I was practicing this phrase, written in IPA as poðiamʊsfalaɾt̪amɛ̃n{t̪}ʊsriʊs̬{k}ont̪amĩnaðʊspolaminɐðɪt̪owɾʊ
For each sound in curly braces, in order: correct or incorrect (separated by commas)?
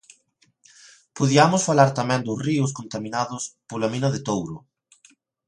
incorrect, correct